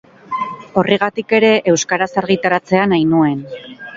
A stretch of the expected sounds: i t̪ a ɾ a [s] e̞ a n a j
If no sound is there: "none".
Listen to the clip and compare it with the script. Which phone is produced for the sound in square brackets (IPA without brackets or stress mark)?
t͡s